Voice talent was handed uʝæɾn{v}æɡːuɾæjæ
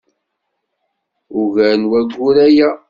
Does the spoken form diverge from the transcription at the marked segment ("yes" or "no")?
yes